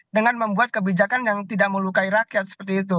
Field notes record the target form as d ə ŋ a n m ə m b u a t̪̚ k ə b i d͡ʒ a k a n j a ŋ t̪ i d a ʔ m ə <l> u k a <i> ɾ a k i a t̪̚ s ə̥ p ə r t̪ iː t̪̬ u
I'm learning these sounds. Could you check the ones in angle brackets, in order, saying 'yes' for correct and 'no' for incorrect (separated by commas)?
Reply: yes, yes